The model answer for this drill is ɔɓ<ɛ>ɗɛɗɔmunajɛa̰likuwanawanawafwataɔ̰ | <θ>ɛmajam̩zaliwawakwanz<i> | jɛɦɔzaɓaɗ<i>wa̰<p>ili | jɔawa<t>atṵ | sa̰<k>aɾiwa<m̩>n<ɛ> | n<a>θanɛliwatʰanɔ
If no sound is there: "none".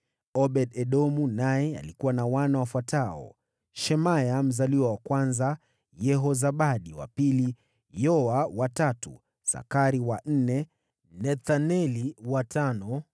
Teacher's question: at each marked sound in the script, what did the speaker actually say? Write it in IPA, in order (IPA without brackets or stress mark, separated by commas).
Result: ɛ, ʃ, a, i, p, t, k, n̩, ɛ, ɛ